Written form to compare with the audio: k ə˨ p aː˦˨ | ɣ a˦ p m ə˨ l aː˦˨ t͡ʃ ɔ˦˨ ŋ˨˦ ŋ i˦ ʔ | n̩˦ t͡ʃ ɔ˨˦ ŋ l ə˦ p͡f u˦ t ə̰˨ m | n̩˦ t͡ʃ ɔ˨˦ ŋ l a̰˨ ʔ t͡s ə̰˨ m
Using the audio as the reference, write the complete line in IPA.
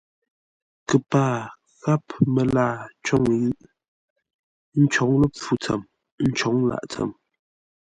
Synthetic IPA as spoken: k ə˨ p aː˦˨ | ɣ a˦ p m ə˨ l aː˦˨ t͡ʃ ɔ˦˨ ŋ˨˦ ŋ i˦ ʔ | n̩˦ t͡ʃ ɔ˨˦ ŋ l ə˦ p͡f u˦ t͡s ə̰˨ m | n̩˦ t͡ʃ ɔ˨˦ ŋ l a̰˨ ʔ t͡s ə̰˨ m